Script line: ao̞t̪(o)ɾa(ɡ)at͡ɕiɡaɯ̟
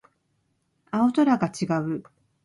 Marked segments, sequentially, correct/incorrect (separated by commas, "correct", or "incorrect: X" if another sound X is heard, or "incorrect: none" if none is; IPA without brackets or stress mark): correct, correct